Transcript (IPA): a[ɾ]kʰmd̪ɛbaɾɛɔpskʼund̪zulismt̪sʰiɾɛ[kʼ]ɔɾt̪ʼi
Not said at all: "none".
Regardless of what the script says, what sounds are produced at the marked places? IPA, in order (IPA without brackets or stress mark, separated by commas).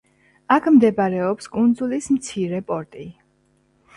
none, pʼ